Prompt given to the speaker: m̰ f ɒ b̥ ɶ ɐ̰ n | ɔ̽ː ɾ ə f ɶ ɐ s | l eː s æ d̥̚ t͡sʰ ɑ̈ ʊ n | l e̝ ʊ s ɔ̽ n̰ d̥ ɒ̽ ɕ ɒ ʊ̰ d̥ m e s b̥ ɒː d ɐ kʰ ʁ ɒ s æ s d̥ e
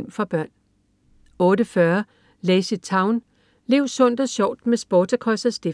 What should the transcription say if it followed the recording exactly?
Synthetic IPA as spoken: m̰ f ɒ b̥ ɶ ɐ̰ n | ɔ̽ː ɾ ə f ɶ ɐ | l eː s i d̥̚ t͡sʰ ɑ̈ ʊ n | l e̝ ʊ s ɔ̽ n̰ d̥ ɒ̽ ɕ ɒ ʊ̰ d̥ m e s b̥ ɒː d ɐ kʰ ʁ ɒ s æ s d̥ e